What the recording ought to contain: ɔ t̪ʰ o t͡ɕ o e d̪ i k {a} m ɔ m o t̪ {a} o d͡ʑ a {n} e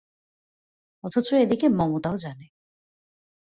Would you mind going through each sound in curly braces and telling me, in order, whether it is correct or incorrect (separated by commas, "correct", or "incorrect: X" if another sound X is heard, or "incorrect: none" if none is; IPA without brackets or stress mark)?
incorrect: e, correct, correct